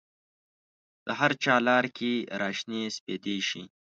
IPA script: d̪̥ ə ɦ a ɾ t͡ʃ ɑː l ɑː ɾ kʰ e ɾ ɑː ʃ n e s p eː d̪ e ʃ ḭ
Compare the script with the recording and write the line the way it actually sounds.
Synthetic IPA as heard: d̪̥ ə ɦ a ɾ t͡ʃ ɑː l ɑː ɾ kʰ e ɾ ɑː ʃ n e s p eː d̪ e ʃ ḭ